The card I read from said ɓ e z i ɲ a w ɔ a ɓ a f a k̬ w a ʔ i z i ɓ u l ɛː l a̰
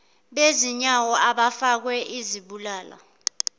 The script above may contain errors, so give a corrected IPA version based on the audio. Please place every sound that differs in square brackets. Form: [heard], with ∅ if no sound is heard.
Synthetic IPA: ɓ e z i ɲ a w ɔ a ɓ a f a k̬ w [ɛ] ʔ i z i ɓ u l [aː] l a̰